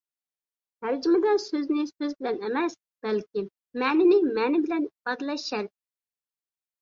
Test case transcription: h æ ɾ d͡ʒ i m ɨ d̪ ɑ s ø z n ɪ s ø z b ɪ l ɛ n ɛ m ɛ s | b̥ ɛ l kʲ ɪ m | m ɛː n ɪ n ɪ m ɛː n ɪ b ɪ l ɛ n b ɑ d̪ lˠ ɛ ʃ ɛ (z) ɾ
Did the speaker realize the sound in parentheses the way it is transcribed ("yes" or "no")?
no